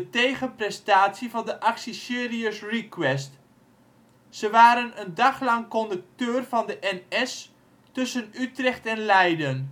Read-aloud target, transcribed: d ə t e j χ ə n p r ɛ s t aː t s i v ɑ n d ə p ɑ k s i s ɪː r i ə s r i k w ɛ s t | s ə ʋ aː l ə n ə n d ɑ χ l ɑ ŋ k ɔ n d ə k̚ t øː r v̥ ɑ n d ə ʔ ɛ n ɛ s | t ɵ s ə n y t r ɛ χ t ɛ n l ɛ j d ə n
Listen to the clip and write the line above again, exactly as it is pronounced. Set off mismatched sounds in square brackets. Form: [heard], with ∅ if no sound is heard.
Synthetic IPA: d ə t e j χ ə n p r ɛ s t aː t s i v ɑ n d ə [ʔ] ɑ k s i s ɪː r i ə s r i k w ɛ s t | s ə ʋ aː [ɾ] ə n ə n d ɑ χ l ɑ ŋ k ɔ n d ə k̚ t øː r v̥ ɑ n d ə ʔ ɛ n ɛ s | t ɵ s ə n y t r ɛ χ t ɛ n l ɛ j d ə n